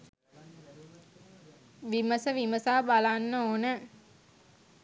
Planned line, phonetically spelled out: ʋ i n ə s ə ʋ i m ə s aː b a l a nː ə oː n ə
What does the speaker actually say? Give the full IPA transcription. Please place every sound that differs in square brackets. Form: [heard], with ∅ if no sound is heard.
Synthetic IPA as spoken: ʋ i [m] ə s ə ʋ i m ə s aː b a l a nː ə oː n ə